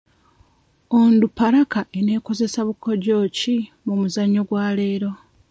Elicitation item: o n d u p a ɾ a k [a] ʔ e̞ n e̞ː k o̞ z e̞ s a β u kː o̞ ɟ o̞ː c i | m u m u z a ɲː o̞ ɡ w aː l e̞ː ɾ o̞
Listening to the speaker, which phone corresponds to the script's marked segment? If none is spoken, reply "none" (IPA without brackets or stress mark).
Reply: a